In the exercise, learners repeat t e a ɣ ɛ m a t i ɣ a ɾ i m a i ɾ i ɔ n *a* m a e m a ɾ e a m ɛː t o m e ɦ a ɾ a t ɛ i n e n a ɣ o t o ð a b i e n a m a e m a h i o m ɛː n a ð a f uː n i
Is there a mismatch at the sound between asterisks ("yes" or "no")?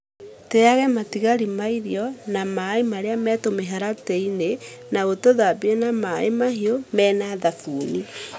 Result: no